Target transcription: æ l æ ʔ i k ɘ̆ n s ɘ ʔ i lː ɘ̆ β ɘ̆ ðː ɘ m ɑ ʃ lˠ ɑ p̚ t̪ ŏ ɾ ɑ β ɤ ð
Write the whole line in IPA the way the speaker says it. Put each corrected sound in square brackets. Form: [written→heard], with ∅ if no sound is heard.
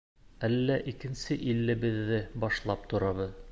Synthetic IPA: æ [l→lː] æ ʔ i k ɘ̆ n s ɘ ʔ i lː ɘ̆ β ɘ̆ ðː ɘ [m→b] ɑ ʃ lˠ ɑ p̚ t̪ ŏ ɾ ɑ β ɤ ð